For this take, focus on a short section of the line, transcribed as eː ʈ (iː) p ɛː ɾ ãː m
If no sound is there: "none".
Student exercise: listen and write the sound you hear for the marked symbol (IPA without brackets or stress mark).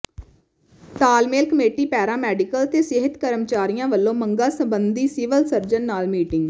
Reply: iː